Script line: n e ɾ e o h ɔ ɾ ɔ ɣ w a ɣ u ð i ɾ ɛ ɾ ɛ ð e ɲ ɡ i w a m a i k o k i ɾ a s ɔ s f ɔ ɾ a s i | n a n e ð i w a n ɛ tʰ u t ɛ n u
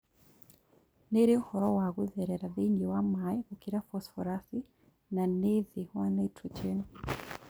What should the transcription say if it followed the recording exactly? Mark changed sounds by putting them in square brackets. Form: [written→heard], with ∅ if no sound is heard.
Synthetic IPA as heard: n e ɾ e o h ɔ ɾ ɔ [ɣ→∅] w a ɣ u ð [i→ɛ] ɾ ɛ ɾ [ɛ→a] ð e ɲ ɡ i w a m a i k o k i ɾ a [s→f] ɔ s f ɔ ɾ a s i | n a n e ð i w a n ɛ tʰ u [t→t͡ʃ] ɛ n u